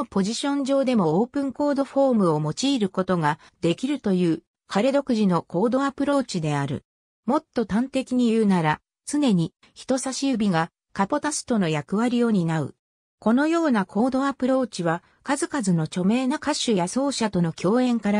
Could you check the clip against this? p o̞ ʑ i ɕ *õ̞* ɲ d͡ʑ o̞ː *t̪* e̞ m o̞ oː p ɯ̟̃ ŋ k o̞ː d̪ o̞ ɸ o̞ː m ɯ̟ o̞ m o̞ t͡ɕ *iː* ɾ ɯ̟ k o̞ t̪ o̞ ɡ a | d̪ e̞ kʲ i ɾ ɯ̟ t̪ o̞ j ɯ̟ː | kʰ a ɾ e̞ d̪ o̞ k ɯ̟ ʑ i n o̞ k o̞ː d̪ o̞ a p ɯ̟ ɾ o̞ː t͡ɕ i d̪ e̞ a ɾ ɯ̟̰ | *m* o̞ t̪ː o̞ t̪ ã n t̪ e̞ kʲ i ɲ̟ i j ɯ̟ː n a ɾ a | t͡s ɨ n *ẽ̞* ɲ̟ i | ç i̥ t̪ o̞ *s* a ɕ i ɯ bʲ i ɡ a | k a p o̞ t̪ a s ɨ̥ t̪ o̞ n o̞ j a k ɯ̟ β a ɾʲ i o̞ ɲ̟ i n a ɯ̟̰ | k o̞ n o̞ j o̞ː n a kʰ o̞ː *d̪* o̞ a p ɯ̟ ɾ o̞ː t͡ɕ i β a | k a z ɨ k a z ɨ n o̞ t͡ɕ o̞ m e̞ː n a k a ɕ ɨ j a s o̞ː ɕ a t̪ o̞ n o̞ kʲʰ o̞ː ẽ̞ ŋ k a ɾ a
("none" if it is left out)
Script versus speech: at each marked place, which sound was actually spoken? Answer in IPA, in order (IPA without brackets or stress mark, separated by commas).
õ̞, d̪, iː, m, e̞, s, d̪